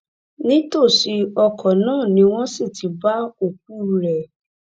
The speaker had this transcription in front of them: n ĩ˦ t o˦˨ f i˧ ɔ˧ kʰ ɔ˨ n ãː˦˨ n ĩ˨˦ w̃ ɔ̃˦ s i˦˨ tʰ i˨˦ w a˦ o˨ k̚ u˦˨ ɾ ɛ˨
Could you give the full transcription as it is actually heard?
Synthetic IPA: n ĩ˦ t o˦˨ ʃ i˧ ɔ˧ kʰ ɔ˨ n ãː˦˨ n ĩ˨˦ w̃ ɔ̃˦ s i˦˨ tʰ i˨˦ b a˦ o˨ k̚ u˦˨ ɾ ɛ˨